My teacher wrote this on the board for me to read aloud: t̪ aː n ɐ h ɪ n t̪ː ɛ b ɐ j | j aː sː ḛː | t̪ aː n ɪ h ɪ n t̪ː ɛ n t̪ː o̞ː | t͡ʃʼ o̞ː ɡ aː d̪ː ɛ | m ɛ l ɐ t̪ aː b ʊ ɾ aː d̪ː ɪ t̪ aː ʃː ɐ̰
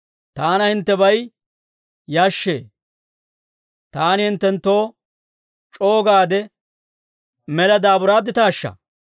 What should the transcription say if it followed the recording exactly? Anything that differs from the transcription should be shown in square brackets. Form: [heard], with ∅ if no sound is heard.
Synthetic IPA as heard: t̪ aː n ɐ h ɪ n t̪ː ɛ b ɐ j | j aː [ʃː] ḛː | t̪ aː n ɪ h ɪ n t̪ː ɛ n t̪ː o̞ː | t͡ʃʼ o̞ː ɡ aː [d̪] ɛ | m ɛ l ɐ [d̪] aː b ʊ ɾ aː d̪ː ɪ t̪ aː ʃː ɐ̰